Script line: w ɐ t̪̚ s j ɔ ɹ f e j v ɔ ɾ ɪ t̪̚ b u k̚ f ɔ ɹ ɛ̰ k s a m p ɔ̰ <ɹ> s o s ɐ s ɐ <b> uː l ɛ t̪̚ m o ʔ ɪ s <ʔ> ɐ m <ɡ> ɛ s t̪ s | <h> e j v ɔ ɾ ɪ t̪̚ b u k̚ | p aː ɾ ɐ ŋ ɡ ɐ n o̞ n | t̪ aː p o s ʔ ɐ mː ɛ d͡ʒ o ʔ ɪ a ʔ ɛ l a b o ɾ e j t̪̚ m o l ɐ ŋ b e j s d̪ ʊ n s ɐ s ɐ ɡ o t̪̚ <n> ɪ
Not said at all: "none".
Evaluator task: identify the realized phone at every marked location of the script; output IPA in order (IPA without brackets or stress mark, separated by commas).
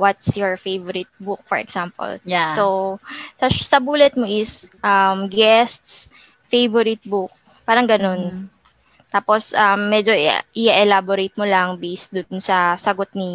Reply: l, b, ʔ, ɡ, f, n